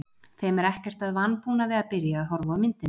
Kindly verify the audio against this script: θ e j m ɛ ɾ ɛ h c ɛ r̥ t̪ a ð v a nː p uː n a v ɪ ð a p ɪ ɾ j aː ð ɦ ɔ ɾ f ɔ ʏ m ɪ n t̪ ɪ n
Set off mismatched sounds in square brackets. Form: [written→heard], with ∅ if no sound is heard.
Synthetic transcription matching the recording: θ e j m ɛ ɾ ɛ h c ɛ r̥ t̪ a ð v a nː p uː n a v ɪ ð a p ɪ ɾ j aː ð ɦ ɔ ɾ [f→v] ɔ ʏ m ɪ n t̪ ɪ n